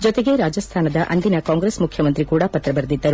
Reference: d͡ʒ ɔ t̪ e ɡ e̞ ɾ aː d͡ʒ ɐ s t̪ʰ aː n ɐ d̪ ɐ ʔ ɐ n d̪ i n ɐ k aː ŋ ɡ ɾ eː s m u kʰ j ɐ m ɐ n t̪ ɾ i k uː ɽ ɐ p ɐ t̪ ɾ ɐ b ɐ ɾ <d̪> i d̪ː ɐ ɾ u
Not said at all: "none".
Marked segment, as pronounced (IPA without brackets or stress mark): d̪